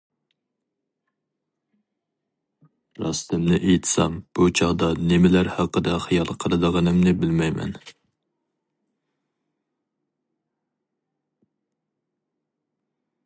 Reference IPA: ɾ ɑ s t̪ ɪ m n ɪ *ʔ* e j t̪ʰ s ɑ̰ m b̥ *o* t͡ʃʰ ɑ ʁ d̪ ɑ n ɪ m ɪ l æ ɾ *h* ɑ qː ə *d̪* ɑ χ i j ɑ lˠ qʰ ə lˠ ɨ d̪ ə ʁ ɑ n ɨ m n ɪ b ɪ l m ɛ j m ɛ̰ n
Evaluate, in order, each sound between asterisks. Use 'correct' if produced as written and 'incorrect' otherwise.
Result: correct, incorrect, correct, correct

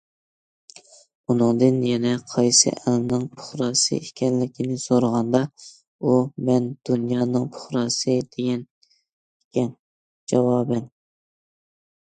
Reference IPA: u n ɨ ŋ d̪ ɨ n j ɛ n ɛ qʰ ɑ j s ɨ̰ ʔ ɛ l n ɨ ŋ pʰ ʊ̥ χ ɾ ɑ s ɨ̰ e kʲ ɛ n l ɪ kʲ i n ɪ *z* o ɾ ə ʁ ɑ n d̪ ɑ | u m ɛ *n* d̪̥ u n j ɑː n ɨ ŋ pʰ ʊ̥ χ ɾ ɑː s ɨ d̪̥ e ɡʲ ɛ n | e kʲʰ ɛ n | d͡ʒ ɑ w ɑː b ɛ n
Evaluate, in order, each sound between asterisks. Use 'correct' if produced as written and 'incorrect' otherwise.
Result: incorrect, correct

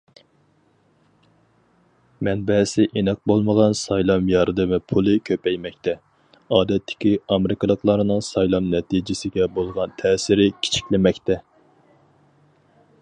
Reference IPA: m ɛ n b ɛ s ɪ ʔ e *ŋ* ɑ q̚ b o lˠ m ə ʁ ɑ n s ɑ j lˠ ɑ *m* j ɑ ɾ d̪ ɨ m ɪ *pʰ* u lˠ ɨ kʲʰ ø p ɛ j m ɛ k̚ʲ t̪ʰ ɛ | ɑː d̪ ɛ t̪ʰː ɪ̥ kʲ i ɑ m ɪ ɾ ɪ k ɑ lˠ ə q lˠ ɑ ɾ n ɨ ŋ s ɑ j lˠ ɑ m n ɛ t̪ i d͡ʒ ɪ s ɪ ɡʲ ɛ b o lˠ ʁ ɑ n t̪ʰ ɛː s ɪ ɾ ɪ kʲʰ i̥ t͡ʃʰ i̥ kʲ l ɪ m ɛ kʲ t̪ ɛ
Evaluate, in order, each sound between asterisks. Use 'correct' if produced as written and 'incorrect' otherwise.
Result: incorrect, correct, correct

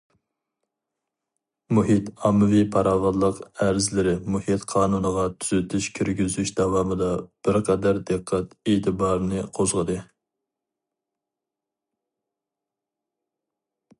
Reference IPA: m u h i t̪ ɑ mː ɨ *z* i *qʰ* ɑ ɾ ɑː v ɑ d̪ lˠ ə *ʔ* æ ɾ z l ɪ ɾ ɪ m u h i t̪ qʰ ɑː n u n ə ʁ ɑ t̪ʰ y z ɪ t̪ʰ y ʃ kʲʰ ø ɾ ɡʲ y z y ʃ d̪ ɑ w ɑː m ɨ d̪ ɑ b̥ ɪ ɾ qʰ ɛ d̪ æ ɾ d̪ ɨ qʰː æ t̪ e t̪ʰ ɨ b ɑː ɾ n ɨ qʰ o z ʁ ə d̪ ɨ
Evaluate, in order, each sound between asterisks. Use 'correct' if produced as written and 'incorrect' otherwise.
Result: incorrect, incorrect, incorrect

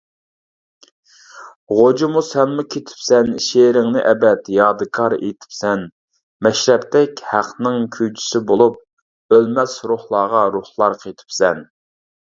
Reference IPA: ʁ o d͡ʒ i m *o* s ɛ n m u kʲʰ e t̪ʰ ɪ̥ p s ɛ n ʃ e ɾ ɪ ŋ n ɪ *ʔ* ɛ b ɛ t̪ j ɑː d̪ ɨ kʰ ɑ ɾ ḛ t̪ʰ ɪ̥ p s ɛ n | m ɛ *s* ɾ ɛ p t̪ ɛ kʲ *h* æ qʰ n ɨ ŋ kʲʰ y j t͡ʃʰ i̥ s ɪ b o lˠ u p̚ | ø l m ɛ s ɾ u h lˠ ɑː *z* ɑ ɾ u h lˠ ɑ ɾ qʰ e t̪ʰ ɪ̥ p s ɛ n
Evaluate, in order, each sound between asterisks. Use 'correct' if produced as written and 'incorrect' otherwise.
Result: incorrect, correct, incorrect, correct, incorrect

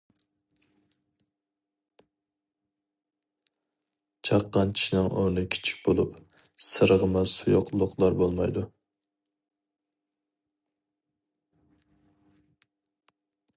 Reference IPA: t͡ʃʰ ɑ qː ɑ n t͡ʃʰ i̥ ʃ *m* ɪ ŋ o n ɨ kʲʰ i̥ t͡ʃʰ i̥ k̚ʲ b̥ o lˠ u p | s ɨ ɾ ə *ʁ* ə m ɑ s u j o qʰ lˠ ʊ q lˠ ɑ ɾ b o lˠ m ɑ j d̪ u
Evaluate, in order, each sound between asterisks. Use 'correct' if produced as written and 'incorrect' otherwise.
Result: incorrect, correct

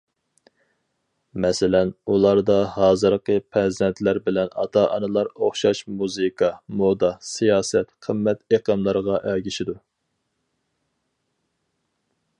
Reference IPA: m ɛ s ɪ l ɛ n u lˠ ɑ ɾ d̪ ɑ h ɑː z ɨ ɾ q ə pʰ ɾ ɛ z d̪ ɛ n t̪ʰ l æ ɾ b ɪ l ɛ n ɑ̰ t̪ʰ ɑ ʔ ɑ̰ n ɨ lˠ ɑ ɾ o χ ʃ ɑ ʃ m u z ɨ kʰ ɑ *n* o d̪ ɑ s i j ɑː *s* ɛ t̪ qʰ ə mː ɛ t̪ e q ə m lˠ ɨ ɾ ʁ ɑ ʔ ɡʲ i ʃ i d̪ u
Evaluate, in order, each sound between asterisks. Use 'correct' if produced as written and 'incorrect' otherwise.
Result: incorrect, correct

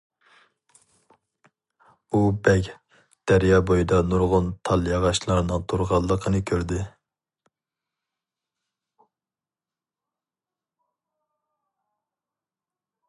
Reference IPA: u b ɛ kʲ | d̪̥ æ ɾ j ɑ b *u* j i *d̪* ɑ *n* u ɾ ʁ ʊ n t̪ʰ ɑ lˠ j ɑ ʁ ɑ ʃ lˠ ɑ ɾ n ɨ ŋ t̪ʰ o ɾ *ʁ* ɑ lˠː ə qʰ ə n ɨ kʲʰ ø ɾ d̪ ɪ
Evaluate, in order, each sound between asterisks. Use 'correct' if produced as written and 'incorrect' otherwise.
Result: incorrect, correct, correct, correct

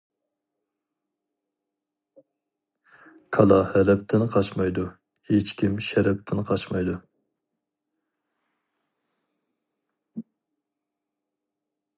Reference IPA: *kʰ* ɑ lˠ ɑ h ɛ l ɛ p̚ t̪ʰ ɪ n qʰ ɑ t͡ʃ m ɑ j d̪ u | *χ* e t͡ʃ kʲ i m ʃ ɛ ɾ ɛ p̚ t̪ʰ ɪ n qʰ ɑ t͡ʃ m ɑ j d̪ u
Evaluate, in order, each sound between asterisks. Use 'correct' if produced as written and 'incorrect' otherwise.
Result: correct, incorrect

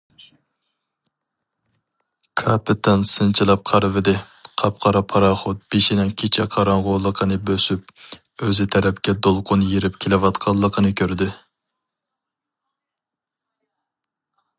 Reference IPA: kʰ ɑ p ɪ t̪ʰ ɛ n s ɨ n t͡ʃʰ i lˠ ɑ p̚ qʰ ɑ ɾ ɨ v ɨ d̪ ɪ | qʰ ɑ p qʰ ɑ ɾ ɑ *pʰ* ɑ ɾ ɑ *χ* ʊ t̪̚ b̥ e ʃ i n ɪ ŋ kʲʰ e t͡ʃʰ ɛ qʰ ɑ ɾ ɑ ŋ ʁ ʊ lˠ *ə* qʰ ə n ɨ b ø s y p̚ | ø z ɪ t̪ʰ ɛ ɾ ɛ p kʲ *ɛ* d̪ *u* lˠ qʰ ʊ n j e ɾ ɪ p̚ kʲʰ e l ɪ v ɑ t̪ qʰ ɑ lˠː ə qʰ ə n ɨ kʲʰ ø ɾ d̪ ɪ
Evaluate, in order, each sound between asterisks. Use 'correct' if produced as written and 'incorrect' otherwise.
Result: correct, correct, correct, correct, incorrect

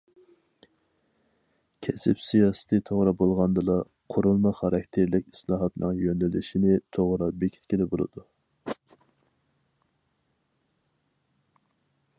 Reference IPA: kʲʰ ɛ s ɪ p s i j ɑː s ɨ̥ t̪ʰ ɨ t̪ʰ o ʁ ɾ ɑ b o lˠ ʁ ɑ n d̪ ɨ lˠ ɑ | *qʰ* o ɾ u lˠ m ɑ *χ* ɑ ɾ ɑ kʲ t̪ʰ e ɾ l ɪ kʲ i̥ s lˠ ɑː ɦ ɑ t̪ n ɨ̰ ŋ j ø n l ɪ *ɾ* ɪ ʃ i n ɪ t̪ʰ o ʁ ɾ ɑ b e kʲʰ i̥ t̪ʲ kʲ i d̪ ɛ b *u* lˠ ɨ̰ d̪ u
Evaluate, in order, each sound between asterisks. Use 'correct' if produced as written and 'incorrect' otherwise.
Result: correct, correct, incorrect, incorrect

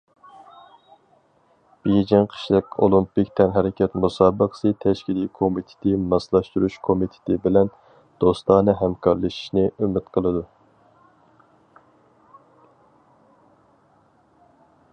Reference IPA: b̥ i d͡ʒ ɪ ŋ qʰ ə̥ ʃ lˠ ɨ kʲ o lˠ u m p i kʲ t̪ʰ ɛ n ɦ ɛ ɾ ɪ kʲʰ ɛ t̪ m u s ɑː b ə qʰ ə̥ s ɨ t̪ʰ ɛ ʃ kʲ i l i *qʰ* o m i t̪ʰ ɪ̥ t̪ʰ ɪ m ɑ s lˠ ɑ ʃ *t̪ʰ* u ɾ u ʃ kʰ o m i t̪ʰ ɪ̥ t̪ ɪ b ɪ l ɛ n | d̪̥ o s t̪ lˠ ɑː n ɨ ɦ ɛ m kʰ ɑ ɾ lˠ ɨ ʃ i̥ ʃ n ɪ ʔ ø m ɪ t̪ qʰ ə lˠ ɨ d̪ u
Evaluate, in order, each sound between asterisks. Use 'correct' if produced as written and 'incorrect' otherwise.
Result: incorrect, incorrect

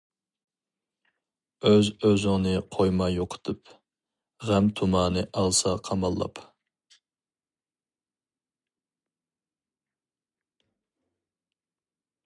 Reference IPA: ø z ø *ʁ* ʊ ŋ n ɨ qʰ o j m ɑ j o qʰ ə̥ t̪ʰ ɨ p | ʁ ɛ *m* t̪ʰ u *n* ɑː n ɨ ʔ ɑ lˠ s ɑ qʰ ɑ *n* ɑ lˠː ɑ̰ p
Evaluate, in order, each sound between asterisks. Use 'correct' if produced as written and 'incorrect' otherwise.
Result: incorrect, correct, incorrect, incorrect

